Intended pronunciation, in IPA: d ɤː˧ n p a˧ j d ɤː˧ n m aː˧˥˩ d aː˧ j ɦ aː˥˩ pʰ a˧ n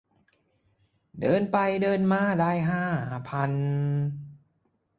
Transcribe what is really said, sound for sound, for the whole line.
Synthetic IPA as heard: d ɤː˧ n p a˧ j d ɤː˧ n m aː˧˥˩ d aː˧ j ɦ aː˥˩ pʰ a˧ n